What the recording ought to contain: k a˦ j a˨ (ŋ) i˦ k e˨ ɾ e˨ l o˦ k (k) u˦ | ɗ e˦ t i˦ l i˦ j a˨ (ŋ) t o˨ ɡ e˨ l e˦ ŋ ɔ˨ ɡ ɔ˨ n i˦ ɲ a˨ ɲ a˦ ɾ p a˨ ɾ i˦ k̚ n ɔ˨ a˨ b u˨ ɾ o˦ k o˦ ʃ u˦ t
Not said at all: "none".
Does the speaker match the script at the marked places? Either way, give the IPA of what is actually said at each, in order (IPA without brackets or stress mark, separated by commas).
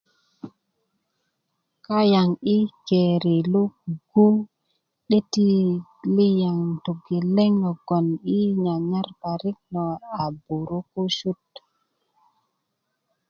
ŋ, ɡ, ŋ